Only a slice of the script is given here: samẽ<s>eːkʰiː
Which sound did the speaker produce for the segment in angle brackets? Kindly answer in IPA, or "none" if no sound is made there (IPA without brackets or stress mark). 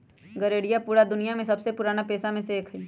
s